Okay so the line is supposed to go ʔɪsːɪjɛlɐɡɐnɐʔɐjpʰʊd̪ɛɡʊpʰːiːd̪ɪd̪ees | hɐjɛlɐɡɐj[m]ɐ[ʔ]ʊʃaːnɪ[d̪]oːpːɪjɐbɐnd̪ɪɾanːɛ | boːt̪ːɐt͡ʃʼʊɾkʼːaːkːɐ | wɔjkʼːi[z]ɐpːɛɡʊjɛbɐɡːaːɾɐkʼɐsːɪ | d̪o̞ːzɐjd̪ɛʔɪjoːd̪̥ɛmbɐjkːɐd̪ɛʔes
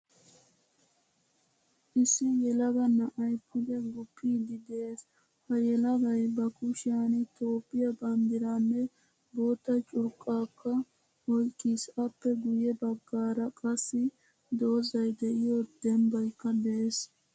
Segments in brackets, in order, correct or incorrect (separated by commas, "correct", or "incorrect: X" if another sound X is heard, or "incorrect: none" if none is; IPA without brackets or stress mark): incorrect: b, incorrect: k, incorrect: t̪, incorrect: s